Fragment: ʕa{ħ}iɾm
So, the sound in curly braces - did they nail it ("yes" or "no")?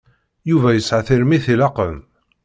no